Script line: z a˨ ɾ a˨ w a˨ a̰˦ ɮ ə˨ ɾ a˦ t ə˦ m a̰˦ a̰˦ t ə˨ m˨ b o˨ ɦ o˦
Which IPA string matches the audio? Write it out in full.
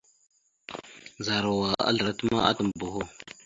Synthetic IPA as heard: z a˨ ɾ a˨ w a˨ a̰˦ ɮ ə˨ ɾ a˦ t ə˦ m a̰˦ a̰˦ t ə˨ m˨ b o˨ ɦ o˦